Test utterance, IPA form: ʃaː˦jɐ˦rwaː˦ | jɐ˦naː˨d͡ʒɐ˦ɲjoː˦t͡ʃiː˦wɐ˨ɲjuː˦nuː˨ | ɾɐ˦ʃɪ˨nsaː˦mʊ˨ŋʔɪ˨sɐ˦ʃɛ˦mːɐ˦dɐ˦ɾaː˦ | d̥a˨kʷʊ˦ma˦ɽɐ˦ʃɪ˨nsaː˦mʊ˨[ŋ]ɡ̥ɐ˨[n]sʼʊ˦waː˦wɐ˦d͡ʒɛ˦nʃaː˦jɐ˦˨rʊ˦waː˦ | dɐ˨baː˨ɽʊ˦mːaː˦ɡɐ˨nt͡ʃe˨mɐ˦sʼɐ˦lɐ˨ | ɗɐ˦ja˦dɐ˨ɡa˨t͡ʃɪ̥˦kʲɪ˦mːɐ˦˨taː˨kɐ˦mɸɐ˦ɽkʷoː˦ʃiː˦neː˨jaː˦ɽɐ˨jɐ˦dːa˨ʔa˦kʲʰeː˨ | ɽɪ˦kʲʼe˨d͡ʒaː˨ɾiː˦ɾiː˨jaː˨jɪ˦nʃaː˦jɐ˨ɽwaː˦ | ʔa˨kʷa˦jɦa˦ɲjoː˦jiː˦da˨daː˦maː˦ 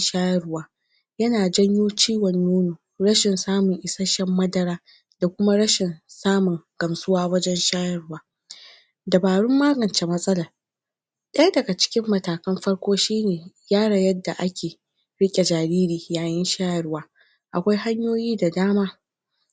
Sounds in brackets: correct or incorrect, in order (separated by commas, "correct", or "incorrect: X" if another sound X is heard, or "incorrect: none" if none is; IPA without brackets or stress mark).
correct, incorrect: m